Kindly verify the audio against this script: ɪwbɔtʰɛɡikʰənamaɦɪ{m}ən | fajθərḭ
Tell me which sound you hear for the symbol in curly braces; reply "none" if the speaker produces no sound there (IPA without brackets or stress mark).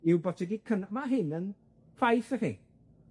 n